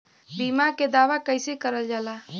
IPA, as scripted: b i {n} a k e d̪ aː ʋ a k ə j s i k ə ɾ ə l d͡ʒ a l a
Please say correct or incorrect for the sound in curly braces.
incorrect